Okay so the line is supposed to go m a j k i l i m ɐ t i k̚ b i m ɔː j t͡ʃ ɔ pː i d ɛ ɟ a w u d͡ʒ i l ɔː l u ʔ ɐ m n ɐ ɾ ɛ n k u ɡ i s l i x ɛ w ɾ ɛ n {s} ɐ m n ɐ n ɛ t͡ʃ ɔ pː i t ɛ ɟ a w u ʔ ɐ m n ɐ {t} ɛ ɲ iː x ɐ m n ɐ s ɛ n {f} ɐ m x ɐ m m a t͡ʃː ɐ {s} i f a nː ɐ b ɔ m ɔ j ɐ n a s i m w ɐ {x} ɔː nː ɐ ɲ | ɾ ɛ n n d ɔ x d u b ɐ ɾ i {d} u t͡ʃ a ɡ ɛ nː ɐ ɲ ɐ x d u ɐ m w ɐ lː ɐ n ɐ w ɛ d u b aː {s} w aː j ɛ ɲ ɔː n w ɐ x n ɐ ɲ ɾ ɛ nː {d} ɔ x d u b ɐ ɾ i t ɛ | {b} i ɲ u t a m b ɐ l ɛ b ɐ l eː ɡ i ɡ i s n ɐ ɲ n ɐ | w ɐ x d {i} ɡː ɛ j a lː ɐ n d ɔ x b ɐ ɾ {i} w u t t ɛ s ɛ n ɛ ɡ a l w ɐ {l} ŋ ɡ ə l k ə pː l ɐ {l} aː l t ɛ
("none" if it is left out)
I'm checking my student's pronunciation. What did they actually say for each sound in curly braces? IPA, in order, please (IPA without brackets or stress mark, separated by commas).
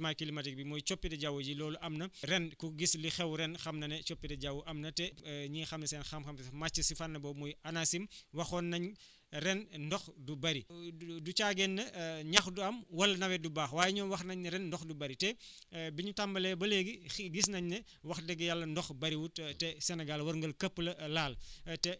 x, t, x, s, x, d, x, d, b, ɛ, i, ɾ, l